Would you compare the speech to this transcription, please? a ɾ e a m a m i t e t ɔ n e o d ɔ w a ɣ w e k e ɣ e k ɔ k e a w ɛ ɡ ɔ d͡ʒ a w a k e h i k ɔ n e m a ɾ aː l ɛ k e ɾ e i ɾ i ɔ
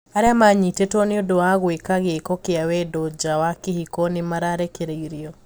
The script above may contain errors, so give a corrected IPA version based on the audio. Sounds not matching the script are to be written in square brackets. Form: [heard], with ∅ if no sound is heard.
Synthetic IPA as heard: a ɾ e a m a [ɲ] i t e t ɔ n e o d [o] w a ɣ w e k [a] ɣ e k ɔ k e a w ɛ [d] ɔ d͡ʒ a w a k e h i k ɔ n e m a ɾ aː [ɾ] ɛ k e ɾ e i ɾ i ɔ

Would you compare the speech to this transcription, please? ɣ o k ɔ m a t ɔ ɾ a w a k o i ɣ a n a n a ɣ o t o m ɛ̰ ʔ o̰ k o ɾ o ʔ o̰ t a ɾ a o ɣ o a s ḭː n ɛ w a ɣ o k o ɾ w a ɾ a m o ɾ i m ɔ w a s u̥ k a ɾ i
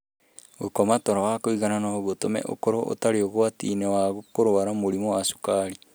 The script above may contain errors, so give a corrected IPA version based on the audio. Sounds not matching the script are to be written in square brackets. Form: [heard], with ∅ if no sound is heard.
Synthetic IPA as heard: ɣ o k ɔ m a t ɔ ɾ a w a k o i ɣ a n a n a ɣ o t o m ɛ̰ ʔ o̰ k o ɾ o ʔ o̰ t a ɾ [e] o ɣ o a [t] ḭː n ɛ w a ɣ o k o ɾ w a ɾ a m o ɾ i m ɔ w a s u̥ k a ɾ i

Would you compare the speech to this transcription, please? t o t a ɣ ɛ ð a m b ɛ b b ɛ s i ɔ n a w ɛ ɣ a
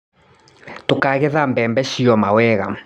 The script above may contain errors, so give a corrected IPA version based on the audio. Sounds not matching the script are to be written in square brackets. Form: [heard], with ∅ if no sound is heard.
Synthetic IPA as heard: t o [k] a ɣ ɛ ð a m b ɛ [m] b ɛ [ʃ] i ɔ [m] a w ɛ ɣ a

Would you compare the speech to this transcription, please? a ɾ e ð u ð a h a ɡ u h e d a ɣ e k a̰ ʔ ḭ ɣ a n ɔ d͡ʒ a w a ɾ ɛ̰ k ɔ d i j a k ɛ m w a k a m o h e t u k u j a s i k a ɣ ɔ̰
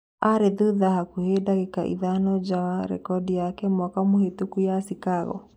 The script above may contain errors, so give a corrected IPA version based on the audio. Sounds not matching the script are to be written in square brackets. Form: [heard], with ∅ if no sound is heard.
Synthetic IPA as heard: a ɾ e ð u ð a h a [k] u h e d a ɣ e k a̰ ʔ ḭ [ð] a n ɔ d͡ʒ a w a ɾ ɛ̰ k ɔ d i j a k ɛ m w a k a m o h e t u k u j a s i k a ɣ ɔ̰

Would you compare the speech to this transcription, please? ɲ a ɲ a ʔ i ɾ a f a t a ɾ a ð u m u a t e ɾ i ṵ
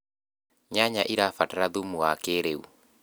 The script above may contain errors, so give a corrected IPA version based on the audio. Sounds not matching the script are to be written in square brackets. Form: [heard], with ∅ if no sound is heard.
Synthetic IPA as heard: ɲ a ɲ a ʔ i ɾ a f a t a ɾ a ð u m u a [k] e ɾ [e] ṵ

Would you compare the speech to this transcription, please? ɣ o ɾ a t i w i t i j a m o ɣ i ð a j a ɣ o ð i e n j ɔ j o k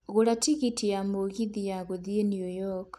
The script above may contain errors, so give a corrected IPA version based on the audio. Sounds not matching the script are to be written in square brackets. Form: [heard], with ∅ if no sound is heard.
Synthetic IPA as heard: ɣ o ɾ a t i [ɣ] i t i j a m o ɣ i ð [i] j a ɣ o ð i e n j [u] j [ɔ] k

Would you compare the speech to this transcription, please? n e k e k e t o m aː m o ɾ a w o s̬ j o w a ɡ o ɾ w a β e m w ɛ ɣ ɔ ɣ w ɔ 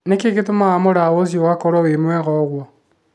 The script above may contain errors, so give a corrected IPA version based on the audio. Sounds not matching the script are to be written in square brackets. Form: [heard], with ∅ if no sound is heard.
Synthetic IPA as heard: n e k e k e t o m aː m o ɾ a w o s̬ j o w a [k] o ɾ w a [w] e m w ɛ ɣ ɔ ɣ w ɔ

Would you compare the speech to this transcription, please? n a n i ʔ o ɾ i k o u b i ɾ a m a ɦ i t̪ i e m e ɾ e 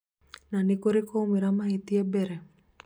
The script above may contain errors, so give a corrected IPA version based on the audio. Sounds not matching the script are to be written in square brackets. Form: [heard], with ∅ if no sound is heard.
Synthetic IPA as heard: n a n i [k] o ɾ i k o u [m] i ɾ a m a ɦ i t̪ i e [b] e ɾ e

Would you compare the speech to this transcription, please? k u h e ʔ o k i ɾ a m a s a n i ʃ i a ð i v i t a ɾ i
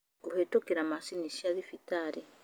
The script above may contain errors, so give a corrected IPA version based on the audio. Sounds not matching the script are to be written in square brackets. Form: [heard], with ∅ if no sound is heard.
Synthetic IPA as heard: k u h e [t] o k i ɾ a m a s [i] n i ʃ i a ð i [f] i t a ɾ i

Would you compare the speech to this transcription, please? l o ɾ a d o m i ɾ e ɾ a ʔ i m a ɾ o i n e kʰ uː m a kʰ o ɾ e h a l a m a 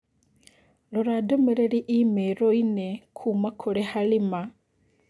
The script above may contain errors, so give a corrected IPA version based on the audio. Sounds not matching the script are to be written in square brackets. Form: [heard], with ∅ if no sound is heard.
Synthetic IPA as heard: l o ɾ a d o m [e] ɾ e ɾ [i] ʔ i m [e] ɾ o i n e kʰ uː m a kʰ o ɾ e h a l [i] m a

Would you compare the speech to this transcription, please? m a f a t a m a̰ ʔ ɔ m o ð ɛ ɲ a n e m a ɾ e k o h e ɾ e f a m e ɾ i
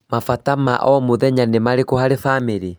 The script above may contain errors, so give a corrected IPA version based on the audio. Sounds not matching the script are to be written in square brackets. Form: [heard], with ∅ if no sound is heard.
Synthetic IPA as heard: m a f a t a m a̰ ʔ ɔ m o ð ɛ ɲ a n e m a ɾ e k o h [a] ɾ e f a m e ɾ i

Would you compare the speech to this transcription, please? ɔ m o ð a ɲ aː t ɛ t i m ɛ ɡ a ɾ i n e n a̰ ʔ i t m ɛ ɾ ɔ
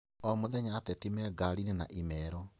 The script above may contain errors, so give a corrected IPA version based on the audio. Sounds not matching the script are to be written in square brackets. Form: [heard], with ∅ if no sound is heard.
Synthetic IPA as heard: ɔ m o ð [ɛ] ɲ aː t ɛ t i m ɛ ɡ a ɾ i n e n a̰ ʔ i [∅] m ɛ ɾ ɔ

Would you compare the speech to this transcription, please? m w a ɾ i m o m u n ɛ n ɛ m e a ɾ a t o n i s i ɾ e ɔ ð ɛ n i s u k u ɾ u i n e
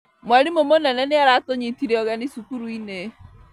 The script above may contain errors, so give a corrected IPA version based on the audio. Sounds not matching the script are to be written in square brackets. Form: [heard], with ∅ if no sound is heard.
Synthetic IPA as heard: m w a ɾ i m o m [o] n ɛ n ɛ [n] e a ɾ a t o [ɲ] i [t] i ɾ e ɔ [ɣ] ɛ n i s u k u ɾ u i n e

